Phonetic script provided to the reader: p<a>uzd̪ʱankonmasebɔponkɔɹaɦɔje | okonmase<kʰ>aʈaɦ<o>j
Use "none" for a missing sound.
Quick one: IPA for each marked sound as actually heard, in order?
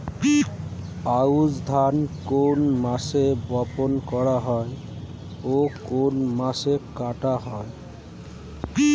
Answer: a, k, ɔ

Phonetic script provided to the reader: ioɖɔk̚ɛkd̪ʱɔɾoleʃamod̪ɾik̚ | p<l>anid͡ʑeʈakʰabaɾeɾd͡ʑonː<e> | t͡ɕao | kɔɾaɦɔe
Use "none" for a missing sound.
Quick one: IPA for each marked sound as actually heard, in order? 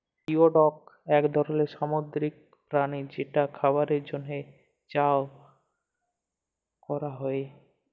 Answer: ɾ, e

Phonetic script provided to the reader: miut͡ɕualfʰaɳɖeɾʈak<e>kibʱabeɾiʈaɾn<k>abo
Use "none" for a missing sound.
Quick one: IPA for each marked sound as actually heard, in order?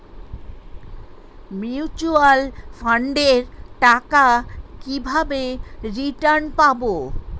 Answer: a, p

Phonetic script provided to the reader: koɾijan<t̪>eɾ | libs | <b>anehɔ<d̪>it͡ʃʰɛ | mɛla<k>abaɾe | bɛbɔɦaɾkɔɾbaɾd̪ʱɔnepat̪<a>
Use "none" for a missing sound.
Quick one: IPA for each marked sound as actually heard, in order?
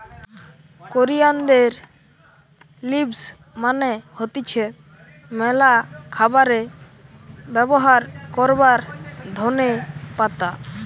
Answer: d̪, m, t̪, kʰ, a

